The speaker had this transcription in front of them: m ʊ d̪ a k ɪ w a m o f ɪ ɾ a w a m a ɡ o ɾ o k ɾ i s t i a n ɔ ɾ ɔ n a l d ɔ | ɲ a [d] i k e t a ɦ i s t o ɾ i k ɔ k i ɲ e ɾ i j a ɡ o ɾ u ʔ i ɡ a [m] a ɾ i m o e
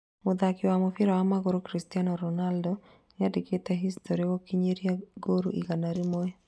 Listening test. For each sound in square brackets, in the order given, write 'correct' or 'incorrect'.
correct, incorrect: n

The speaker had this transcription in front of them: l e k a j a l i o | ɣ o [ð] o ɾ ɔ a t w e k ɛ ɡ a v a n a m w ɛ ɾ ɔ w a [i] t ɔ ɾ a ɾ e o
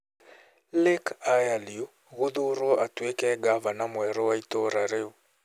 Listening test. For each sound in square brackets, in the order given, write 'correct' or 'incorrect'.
correct, correct

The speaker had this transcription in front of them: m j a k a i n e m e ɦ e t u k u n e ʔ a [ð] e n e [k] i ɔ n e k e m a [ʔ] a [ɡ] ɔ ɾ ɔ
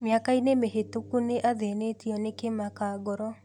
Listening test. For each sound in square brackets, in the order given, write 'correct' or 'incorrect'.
correct, incorrect: t, incorrect: k, correct

